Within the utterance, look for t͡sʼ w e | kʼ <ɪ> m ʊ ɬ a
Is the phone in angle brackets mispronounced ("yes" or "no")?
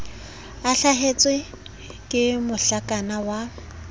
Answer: no